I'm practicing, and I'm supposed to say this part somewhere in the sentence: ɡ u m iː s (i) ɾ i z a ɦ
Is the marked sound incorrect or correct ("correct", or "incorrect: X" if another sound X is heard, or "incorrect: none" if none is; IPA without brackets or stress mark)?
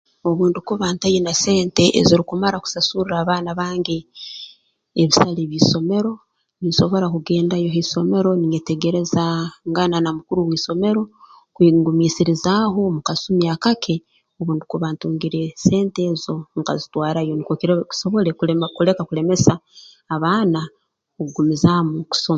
correct